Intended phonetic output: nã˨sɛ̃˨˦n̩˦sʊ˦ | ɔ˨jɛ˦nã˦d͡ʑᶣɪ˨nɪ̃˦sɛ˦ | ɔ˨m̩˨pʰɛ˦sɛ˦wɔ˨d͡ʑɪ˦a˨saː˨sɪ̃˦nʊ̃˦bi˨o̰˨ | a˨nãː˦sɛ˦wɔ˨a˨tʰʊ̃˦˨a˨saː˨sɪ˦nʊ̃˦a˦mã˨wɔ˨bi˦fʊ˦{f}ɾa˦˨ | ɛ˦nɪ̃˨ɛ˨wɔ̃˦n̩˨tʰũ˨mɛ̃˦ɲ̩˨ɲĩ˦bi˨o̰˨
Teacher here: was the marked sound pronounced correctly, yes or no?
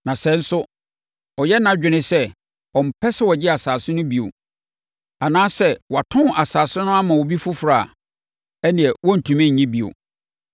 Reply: yes